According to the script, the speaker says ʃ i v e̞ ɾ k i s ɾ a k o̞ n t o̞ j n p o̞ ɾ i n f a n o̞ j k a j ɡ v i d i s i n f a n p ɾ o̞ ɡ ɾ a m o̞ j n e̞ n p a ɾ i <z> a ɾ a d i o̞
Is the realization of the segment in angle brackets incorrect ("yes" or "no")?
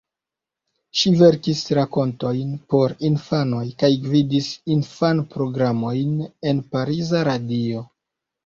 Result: no